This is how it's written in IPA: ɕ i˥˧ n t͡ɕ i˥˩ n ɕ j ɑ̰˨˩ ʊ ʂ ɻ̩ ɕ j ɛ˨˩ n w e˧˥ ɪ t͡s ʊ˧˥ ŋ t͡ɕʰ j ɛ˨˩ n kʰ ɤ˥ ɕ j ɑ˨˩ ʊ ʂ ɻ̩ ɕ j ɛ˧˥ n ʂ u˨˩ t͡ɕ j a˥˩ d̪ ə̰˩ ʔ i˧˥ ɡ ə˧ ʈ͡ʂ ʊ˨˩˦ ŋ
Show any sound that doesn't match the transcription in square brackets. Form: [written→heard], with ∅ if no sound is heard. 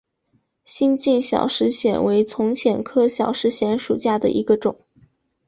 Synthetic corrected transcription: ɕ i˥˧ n t͡ɕ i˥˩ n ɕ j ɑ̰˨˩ ʊ ʂ ɻ̩ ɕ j ɛ˨˩ n w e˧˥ ɪ [t͡s→t͡sʰ] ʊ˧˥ ŋ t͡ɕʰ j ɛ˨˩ n kʰ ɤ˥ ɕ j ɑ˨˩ ʊ ʂ ɻ̩ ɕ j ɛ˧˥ n ʂ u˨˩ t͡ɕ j a˥˩ d̪ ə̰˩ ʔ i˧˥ ɡ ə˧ ʈ͡ʂ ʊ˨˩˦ ŋ